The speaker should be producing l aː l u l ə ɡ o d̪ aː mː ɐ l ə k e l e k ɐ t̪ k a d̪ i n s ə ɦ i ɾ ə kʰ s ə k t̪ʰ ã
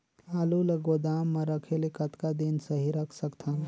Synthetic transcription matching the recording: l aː l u l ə ɡ o d̪ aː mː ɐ ɾ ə kʰ e l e k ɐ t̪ k a d̪ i n s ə ɦ i ɾ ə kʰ s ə k t̪ʰ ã